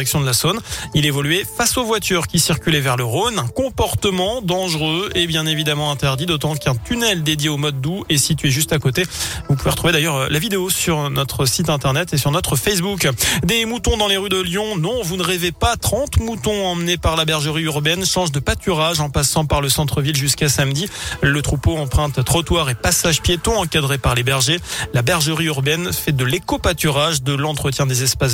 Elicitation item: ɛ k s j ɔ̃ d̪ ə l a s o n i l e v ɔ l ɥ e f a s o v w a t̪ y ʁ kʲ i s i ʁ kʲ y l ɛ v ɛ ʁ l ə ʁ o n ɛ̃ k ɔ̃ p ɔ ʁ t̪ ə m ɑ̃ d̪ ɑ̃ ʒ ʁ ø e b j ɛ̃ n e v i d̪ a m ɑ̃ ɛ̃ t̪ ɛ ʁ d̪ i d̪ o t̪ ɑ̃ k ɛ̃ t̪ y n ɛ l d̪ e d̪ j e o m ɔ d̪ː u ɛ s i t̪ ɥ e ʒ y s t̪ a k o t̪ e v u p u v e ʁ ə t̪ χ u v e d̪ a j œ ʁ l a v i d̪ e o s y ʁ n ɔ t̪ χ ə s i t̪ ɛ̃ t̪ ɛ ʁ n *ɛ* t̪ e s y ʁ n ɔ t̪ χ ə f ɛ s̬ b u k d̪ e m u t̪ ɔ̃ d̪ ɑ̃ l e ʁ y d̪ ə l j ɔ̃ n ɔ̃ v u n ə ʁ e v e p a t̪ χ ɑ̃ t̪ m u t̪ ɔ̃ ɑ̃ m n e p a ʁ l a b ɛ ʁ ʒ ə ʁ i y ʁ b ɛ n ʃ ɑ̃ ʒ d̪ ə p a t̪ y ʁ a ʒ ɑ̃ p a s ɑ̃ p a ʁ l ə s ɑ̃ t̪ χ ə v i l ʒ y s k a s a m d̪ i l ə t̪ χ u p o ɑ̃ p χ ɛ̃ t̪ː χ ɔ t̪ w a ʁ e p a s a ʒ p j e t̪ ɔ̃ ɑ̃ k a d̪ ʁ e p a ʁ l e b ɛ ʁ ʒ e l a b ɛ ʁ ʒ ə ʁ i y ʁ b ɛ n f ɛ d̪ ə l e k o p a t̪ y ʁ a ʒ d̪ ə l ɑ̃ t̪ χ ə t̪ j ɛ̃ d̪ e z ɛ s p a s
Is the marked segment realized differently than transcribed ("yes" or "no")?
no